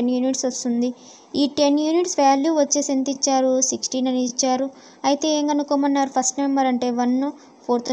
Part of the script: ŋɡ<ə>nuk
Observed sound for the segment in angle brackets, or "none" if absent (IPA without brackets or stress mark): ɐ